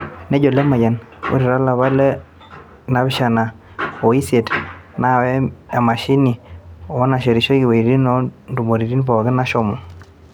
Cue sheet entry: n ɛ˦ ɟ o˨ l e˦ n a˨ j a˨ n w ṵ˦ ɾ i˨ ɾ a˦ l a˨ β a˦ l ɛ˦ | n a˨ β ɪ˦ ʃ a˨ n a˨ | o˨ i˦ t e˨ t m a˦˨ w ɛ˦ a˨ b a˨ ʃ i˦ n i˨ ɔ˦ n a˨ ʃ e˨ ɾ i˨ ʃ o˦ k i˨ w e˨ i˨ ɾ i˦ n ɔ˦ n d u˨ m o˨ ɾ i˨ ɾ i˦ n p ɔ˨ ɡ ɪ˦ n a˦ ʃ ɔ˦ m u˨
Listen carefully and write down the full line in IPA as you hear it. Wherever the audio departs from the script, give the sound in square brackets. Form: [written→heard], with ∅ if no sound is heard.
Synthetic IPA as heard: n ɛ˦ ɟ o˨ l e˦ [n→m] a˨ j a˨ n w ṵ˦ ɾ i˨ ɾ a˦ l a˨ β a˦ l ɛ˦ | n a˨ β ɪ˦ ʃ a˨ n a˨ | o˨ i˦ [t→s] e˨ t [m→n] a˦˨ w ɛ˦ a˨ [b→m] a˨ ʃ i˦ n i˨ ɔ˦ n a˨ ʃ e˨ ɾ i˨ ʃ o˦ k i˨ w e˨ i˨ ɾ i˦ n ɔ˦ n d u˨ m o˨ ɾ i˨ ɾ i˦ n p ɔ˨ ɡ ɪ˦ n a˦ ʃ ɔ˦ m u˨